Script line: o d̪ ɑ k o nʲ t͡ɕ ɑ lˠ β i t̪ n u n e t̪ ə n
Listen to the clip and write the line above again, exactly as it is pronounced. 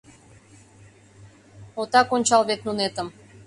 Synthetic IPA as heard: o t̪ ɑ k o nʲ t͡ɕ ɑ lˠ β e t̪ n u n e t̪ ə m